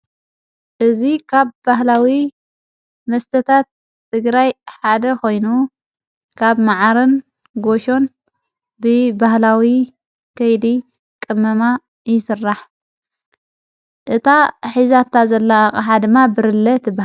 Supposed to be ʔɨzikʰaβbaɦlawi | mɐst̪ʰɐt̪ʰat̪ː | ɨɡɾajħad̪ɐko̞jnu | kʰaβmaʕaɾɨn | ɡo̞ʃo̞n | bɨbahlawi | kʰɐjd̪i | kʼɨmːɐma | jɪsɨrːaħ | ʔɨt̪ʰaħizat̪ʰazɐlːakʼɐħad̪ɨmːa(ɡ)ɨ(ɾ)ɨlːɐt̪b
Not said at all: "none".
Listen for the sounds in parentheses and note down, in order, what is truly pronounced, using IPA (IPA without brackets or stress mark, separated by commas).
b, ɾ